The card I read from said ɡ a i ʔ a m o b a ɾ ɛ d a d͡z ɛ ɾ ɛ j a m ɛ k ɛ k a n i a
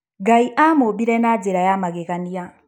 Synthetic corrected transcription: ɡ a i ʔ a m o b i ɾ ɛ n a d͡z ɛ ɾ a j a m a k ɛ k a n i a